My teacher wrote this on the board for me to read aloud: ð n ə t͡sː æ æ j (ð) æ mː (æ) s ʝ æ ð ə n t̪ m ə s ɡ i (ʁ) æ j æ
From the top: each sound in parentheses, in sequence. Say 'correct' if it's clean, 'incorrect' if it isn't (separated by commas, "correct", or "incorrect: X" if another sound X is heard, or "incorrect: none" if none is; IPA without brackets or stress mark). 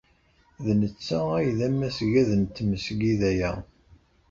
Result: correct, correct, incorrect: ð